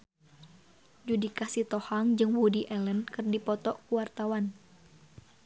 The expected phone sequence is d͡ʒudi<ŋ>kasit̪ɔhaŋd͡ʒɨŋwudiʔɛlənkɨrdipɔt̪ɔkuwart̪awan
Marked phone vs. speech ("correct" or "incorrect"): incorrect